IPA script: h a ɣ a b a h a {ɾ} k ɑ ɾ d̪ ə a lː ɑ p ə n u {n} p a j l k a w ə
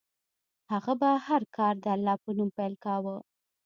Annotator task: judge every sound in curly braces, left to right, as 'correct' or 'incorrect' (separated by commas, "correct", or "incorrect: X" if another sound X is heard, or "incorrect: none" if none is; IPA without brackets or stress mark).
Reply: correct, incorrect: m